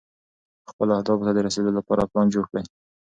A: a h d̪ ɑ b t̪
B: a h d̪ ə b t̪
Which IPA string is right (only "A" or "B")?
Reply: A